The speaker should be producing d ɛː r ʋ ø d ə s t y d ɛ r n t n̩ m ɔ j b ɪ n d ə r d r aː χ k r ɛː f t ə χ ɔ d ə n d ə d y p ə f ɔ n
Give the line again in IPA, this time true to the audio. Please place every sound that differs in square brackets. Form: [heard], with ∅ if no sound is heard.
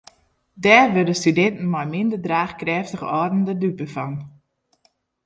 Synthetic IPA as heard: d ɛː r ʋ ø d ə s t y d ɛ [∅] n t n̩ m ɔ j [m] ɪ n d ə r d r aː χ k r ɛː f t ə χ ɔ d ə n d ə d y p ə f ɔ n